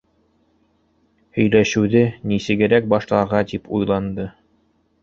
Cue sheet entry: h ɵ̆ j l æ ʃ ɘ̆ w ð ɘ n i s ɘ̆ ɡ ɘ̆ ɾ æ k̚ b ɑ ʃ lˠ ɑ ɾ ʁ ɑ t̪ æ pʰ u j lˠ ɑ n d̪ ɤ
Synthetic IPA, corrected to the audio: h ɵ̆ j l æ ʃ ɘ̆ w ð ɘ n i s ɘ̆ ɡ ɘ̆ ɾ æ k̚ b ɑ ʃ lˠ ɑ ɾ ʁ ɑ t̪ i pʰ u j lˠ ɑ n d̪ ɤ